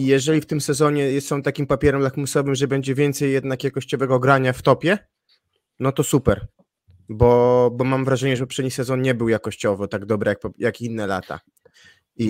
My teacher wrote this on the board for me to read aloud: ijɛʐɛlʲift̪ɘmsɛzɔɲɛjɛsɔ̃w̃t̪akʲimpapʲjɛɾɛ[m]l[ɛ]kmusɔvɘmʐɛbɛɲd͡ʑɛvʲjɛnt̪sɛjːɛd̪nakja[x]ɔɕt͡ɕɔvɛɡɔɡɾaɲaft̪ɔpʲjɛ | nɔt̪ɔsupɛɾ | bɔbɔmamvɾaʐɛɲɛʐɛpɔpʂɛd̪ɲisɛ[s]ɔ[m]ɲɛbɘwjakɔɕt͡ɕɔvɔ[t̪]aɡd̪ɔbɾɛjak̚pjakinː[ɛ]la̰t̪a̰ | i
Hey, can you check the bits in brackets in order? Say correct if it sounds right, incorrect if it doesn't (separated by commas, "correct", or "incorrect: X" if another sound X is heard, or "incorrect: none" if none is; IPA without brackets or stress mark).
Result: correct, incorrect: a, incorrect: k, incorrect: z, incorrect: n, correct, correct